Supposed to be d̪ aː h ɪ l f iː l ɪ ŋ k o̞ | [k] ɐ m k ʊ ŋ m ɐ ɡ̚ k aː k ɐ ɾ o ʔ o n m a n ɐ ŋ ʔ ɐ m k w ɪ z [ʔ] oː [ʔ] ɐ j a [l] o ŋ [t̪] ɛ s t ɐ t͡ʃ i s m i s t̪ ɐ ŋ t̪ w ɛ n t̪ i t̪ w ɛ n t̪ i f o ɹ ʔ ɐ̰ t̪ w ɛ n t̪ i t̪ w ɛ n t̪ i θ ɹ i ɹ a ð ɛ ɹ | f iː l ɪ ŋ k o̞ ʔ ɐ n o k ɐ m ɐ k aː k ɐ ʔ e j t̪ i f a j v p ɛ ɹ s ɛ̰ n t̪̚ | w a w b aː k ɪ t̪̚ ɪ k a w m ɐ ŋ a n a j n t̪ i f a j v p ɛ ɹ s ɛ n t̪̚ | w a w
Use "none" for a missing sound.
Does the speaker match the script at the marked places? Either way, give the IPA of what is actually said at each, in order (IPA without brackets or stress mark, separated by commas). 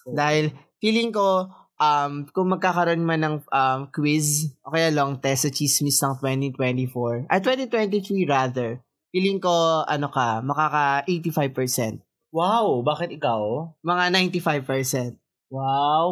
ʔ, ʔ, k, l, t̪